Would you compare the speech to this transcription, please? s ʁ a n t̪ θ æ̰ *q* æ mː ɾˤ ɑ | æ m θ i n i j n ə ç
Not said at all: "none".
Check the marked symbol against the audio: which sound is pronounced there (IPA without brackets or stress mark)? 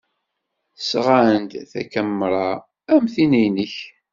k